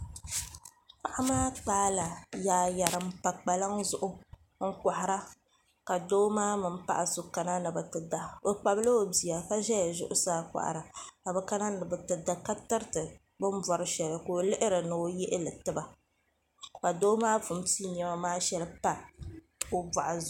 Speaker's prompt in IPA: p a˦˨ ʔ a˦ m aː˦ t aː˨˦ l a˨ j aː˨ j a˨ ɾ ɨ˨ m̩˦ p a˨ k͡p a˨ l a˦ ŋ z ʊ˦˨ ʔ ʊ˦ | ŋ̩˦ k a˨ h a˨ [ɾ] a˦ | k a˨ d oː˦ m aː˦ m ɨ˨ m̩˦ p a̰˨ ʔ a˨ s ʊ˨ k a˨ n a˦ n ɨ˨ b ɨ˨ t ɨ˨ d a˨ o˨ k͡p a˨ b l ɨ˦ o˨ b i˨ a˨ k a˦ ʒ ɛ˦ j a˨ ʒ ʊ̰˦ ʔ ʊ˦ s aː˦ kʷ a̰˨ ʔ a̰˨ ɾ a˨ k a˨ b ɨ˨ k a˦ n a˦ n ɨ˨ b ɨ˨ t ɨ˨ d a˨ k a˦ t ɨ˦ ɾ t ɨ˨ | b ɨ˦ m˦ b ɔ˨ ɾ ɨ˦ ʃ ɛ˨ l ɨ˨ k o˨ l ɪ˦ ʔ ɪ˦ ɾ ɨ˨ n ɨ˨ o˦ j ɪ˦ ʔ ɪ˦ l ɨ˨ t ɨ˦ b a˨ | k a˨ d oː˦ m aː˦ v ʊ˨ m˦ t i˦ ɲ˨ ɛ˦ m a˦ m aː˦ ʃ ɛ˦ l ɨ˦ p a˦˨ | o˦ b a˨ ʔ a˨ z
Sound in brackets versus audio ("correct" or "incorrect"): correct